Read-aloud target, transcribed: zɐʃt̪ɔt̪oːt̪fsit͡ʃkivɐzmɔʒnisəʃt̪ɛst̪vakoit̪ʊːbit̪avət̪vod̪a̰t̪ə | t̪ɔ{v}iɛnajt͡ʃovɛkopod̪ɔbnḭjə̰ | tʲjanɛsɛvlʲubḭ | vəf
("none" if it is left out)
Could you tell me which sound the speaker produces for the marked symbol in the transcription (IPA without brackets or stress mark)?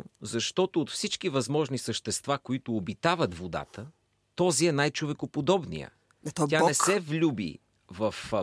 z